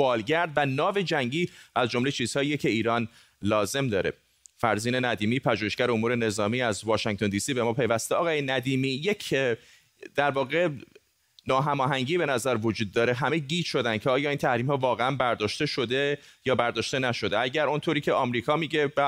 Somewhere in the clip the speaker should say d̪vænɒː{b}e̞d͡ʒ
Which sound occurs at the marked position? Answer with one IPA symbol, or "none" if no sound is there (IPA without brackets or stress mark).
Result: v